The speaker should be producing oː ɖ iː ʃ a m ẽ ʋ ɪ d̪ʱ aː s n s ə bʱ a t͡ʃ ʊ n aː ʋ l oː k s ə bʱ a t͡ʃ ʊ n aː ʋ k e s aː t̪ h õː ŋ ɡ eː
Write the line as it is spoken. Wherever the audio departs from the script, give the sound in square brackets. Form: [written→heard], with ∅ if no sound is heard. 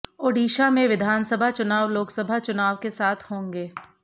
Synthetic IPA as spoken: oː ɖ iː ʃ a m ẽ ʋ ɪ d̪ʱ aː [s→∅] n s ə bʱ a t͡ʃ ʊ n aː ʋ l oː k s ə bʱ a t͡ʃ ʊ n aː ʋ k e s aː [t̪→t̪ʰ] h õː ŋ ɡ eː